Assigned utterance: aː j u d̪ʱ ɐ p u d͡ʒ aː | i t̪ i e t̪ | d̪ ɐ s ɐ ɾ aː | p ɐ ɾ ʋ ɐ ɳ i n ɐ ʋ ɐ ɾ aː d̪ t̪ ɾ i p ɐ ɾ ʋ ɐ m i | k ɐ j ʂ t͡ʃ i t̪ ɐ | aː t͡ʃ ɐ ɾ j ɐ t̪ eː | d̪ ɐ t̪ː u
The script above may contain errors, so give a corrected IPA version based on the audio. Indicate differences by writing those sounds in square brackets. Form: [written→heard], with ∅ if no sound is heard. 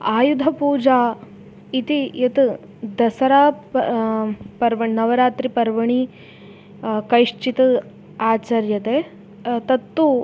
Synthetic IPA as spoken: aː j u d̪ʱ ɐ p [u→uː] d͡ʒ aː | i t̪ i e t̪ | d̪ ɐ s ɐ ɾ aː | p ɐ ɾ ʋ ɐ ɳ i n ɐ ʋ ɐ ɾ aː [d̪→∅] t̪ ɾ i p ɐ ɾ ʋ ɐ [m→ɳ] i | k ɐ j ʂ t͡ʃ i t̪ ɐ | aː t͡ʃ ɐ ɾ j ɐ t̪ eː | [d̪→t̪] ɐ t̪ː u